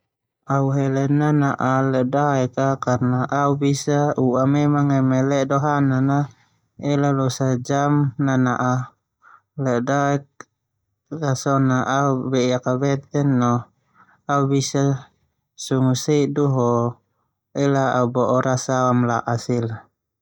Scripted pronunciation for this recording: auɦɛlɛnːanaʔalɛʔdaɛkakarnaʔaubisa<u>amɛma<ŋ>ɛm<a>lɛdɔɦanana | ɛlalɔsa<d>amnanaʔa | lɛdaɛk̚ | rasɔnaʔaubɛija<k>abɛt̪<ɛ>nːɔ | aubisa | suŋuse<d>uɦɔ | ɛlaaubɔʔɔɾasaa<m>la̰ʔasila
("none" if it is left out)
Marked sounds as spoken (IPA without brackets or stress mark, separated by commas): u, ŋ, ɛ, d͡ʒ, k, ɛ, d, m